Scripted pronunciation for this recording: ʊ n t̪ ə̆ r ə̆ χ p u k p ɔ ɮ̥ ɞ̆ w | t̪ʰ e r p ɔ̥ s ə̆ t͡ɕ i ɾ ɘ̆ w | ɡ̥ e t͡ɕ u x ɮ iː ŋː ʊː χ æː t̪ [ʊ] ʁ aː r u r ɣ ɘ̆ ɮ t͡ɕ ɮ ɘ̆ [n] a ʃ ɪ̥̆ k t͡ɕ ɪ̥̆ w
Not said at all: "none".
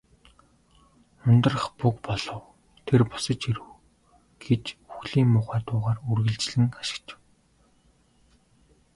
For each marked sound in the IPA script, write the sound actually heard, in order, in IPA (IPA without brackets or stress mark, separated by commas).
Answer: ʊː, ŋ